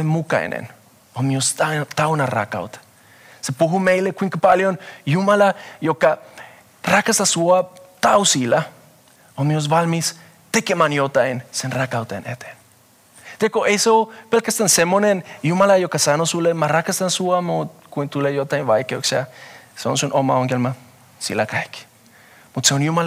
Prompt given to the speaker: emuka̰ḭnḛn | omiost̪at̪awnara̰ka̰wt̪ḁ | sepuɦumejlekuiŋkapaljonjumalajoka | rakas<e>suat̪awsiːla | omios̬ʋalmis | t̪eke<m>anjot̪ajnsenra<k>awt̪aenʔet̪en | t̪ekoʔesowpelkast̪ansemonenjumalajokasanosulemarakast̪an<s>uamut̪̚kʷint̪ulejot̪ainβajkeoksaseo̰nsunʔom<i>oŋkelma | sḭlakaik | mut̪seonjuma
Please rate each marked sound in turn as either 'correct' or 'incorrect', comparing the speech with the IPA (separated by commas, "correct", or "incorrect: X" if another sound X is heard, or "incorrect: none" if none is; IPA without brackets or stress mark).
incorrect: a, correct, correct, correct, incorrect: a